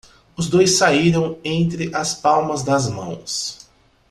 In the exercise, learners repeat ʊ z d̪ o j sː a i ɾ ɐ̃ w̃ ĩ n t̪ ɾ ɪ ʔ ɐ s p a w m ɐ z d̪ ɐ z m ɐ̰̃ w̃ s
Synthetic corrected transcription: ʊ z d̪ o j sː a i ɾ ɐ̃ w̃ ẽ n t̪ ɾ ɪ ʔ ɐ s p a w m ɐ z d̪ ɐ z m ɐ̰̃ w̃ s

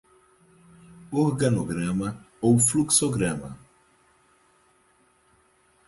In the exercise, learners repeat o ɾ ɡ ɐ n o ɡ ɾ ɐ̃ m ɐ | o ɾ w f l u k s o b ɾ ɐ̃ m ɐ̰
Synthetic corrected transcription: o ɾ ɡ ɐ n o ɡ ɾ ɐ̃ m ɐ | o w f l u k s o ɡ ɾ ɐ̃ m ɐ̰

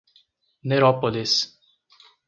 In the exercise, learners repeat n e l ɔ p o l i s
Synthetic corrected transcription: n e ɾ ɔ p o l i s

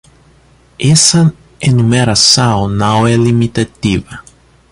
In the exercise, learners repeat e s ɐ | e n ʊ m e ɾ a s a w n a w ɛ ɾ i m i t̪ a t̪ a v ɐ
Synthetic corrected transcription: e s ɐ | e n u m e ɾ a s a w n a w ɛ l i m i t̪ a t̪ i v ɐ

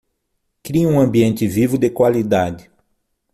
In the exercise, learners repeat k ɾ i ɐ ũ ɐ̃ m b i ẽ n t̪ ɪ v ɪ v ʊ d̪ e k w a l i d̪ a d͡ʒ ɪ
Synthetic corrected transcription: k ɾ i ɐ ũ ɐ̃ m b i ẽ n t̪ ɪ v i v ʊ d̪ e k w a l i d̪ a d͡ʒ ɪ

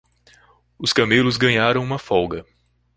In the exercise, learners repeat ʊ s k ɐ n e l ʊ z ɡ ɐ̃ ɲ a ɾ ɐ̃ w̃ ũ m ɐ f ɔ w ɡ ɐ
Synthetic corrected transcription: ʊ s k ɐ m e l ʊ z ɡ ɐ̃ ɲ a ɾ ɐ̃ w̃ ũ m ɐ f ɔ w ɡ ɐ

